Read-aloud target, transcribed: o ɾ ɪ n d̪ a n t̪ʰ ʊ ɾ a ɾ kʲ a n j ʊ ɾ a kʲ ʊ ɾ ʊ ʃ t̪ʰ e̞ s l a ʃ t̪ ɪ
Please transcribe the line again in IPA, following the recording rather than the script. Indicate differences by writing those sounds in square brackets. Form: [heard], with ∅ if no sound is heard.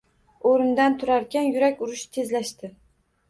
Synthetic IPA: o ɾ ɪ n d̪ a n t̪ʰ ʊ ɾ a ɾ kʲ a n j ʊ ɾ a kʲ ʊ ɾ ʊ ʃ t̪ʰ e̞ [z] l a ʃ t̪ ɪ